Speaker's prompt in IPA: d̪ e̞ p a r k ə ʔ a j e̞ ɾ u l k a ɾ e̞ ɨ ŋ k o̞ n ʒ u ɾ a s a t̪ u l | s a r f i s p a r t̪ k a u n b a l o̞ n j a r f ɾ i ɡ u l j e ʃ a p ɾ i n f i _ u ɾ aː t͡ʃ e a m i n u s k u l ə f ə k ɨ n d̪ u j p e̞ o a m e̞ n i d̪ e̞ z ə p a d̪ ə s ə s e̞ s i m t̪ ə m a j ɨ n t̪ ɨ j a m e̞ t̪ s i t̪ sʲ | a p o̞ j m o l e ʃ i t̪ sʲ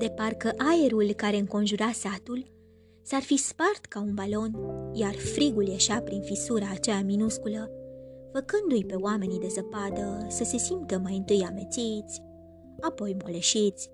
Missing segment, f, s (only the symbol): s